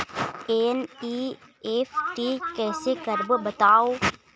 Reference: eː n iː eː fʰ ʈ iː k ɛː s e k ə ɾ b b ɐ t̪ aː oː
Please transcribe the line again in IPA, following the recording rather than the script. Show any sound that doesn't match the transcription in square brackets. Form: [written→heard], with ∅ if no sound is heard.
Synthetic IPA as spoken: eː n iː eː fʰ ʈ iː k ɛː s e k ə ɾ b b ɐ t̪ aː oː